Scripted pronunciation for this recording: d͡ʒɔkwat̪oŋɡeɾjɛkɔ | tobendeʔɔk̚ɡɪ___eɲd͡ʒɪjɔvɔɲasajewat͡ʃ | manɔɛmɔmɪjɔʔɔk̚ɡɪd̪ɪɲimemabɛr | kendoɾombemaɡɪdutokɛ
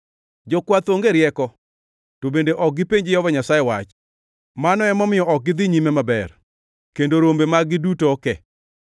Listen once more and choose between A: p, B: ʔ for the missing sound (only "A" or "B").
A